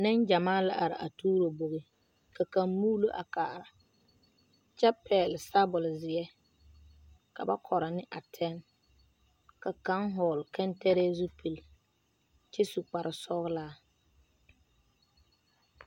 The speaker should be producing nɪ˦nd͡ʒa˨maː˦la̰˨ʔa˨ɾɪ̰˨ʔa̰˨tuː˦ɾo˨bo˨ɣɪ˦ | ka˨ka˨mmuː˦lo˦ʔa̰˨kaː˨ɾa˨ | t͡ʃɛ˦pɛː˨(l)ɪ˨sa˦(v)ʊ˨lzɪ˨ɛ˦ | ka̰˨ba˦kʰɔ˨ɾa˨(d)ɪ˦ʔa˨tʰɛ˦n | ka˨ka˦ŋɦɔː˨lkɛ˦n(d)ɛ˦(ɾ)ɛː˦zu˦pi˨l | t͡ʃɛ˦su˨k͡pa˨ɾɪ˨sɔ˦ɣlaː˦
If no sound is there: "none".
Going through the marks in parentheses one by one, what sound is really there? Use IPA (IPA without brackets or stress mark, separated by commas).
l, b, n, t, ɾ